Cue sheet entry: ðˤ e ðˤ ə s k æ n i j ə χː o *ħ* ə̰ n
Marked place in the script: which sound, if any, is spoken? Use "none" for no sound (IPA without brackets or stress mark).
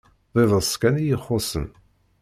s